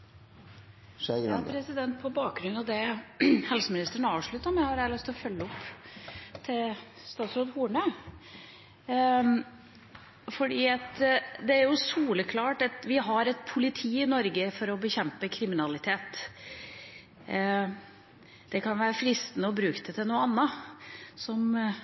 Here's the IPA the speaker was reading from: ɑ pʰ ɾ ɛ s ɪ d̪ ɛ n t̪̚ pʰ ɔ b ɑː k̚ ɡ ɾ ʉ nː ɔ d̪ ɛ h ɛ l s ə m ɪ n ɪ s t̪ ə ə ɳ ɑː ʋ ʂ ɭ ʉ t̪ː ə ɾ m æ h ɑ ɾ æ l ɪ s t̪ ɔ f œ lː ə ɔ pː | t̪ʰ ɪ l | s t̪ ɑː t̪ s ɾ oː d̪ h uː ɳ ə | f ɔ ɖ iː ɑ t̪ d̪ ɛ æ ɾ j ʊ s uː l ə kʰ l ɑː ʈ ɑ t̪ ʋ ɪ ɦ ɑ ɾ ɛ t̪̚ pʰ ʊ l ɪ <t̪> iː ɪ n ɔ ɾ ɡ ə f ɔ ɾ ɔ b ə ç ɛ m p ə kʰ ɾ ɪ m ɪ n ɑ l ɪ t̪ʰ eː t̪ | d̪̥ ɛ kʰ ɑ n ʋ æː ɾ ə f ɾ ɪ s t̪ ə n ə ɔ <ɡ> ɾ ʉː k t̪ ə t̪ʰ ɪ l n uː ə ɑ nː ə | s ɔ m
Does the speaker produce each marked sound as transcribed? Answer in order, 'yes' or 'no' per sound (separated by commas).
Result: no, no